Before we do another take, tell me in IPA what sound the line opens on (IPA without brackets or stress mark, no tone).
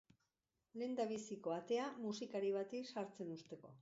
l